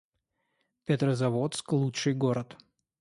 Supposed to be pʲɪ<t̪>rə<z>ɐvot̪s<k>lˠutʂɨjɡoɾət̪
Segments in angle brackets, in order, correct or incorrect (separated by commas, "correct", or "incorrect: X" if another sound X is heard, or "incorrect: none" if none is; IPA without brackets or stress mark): correct, correct, correct